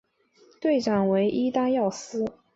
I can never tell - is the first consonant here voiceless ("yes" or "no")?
yes